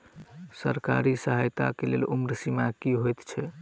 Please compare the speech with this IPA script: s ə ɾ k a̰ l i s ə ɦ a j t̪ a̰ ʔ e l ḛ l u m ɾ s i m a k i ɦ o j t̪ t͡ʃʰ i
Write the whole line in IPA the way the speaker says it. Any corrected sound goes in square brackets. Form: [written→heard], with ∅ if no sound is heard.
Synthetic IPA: s ə ɾ k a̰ [l→ɾ] i s ə ɦ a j t̪ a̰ [ʔ→k] e l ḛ l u m ɾ s i m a k i ɦ o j t̪ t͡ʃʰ [i→ɛ]